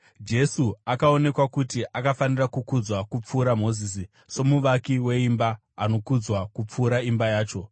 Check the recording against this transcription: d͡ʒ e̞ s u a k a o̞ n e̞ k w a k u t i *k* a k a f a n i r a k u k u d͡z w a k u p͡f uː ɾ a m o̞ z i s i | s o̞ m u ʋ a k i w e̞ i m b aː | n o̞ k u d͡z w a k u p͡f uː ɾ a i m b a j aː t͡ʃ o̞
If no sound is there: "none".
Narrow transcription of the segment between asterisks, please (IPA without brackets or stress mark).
ʔ